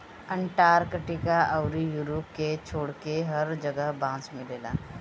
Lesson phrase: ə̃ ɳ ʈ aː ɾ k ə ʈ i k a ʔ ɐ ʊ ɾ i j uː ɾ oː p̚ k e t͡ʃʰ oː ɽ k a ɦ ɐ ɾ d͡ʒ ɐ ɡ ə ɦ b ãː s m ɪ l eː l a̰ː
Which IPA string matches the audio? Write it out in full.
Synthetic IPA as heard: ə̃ ɳ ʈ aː ɾ k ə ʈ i k a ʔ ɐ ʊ ɾ i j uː ɾ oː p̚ k e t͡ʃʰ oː ɽ k e ɦ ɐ ɾ d͡ʒ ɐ ɡ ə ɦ b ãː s m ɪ l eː l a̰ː